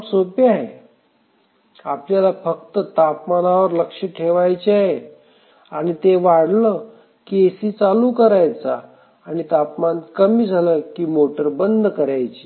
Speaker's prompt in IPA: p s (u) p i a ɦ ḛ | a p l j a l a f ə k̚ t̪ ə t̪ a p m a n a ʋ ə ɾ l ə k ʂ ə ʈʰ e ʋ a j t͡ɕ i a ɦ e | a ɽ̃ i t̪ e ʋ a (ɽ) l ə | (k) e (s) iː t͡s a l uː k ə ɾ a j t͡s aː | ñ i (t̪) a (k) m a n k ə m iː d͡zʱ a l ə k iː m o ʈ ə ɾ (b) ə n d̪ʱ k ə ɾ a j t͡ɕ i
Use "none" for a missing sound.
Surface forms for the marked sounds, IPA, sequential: o, ɽ, k, s, t̪, p, b

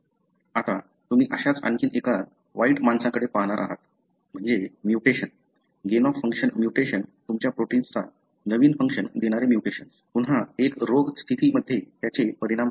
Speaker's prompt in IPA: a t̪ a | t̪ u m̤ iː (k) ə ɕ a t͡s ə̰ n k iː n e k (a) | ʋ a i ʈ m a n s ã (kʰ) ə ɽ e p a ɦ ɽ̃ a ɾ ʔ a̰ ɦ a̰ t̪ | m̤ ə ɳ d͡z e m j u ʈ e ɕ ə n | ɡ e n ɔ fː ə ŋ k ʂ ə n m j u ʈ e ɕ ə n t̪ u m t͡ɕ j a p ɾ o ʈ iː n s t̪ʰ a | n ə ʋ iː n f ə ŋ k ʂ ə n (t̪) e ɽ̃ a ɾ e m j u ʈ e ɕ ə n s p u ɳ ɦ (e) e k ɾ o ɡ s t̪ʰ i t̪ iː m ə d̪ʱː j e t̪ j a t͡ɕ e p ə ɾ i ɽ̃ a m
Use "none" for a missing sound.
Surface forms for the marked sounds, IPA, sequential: ʔ, a, k, d̪, a

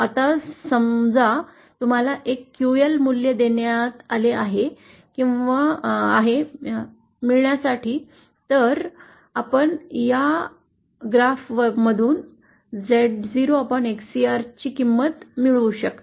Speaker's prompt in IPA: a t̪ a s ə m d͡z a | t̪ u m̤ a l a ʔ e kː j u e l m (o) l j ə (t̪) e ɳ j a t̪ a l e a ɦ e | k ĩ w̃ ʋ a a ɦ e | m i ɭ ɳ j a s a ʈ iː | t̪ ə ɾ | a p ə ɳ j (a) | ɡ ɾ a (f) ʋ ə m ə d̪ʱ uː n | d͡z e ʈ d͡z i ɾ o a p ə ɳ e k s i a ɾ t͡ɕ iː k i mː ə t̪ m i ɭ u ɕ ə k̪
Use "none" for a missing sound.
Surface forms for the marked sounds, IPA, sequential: u, d̪, a, f

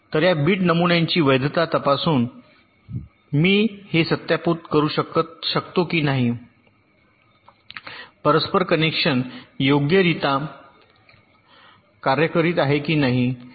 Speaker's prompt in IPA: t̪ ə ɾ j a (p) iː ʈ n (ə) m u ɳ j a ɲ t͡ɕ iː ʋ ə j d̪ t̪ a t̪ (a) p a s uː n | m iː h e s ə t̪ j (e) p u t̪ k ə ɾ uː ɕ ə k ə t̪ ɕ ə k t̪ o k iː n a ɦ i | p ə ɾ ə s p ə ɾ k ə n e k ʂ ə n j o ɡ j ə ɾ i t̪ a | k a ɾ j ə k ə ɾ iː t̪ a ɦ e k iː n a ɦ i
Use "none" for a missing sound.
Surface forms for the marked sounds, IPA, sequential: b, ə, ə, a

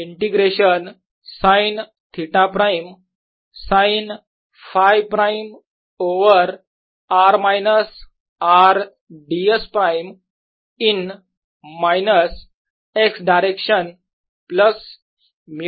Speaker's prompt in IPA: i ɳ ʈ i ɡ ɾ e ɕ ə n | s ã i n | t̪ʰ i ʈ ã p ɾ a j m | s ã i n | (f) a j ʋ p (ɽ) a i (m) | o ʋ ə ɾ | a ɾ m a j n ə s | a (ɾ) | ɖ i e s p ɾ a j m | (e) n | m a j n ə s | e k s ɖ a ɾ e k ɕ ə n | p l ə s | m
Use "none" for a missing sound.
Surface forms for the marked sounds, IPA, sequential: f, ɾ, m, ɾ, i

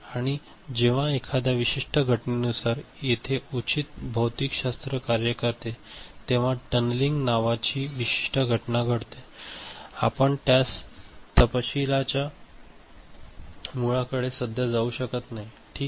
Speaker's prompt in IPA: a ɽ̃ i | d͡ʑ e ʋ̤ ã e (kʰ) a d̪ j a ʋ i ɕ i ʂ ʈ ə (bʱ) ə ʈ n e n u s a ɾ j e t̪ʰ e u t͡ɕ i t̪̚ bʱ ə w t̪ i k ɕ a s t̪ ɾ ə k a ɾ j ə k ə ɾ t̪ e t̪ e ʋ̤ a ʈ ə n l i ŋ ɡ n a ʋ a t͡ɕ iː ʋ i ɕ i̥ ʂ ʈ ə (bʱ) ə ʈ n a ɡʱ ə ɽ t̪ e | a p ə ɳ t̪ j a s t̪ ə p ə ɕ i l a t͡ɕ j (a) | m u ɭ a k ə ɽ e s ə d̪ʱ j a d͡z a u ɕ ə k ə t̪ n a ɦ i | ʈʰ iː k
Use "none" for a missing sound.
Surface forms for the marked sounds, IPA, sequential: kʰ, ɡʱ, ɡʱ, a

